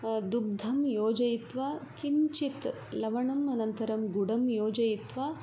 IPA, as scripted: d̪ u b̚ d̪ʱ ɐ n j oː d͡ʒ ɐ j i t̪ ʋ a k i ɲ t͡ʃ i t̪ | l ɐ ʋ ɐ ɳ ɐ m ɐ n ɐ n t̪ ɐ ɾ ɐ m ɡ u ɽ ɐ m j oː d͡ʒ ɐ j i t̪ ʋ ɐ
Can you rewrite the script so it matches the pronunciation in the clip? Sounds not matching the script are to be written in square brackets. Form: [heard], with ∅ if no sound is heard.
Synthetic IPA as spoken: d̪ u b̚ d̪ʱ ɐ [m] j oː d͡ʒ ɐ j i t̪ ʋ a k i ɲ t͡ʃ i t̪ | l ɐ ʋ ɐ ɳ ɐ m ɐ n ɐ n t̪ ɐ ɾ ɐ m ɡ u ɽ ɐ m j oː d͡ʒ ɐ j i t̪ ʋ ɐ